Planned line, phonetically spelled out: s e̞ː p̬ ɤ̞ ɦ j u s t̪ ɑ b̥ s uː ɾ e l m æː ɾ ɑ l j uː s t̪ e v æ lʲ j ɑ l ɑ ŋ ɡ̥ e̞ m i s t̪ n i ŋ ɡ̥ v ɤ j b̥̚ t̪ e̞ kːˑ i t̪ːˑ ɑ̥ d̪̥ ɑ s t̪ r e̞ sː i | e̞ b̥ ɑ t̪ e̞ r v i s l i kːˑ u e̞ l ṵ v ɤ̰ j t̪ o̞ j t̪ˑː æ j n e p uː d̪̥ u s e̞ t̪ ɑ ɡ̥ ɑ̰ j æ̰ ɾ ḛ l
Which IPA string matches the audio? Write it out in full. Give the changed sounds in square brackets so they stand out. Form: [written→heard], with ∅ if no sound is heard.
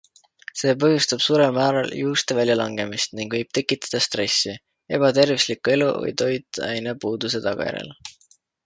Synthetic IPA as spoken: s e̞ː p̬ ɤ̞ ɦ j u s t̪ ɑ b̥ s uː ɾ e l m æː ɾ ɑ l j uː s t̪ e v æ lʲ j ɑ l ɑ ŋ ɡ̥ e̞ m i s t̪ n i ŋ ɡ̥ v ɤ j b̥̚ t̪ e̞ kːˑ i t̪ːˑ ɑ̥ d̪̥ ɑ s t̪ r e̞ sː i | e̞ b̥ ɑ t̪ e̞ r v i s l i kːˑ u e̞ l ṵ v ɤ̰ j t̪ o̞ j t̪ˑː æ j n e p uː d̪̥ u s e̞ t̪ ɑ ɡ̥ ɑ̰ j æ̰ ɾ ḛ l